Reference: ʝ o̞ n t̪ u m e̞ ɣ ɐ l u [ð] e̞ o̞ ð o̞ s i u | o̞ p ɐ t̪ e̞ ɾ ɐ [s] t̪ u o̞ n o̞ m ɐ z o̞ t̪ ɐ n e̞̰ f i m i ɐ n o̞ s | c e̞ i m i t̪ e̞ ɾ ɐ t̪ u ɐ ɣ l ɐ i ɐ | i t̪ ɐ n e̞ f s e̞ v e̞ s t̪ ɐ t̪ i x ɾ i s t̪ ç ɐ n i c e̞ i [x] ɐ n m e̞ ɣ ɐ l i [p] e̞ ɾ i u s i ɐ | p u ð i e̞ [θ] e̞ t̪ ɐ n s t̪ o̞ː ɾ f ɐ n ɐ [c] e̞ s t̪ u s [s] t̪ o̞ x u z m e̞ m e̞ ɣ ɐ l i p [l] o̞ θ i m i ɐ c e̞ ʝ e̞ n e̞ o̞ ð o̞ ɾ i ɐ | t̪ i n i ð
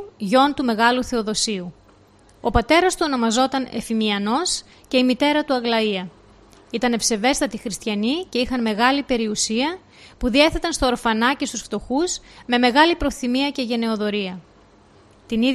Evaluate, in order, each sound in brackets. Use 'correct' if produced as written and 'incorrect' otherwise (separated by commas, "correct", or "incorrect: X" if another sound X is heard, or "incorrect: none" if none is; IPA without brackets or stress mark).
incorrect: θ, correct, correct, correct, correct, correct, incorrect: f, incorrect: ɾ